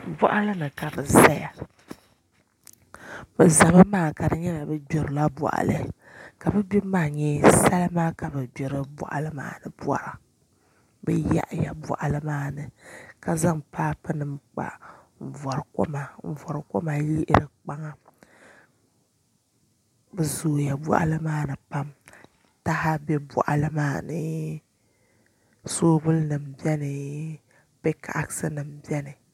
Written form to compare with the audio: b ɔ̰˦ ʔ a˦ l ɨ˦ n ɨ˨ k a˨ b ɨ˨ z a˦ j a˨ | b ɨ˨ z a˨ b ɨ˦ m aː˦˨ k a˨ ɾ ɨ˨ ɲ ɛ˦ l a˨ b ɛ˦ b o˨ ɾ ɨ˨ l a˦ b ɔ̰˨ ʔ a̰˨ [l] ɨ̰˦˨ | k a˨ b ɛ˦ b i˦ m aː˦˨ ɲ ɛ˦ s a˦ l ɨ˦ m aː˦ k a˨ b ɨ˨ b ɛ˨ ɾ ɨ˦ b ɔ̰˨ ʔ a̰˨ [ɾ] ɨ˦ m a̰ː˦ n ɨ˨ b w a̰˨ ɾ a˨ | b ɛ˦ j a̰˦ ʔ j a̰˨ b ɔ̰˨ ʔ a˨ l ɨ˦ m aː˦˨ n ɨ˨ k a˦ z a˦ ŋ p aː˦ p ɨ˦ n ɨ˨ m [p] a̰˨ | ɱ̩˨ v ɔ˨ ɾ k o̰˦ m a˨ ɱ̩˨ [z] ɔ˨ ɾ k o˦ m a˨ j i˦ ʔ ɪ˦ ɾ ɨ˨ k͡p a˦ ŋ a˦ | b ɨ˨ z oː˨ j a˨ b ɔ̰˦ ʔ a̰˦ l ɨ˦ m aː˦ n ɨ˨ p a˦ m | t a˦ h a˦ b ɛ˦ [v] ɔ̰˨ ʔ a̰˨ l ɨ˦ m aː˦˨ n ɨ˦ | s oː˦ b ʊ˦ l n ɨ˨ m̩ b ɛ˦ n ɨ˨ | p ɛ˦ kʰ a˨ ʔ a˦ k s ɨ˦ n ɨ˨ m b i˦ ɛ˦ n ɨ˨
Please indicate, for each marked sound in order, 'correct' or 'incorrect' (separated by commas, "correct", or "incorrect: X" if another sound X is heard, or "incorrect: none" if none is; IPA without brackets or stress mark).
correct, incorrect: l, incorrect: k͡p, incorrect: v, incorrect: b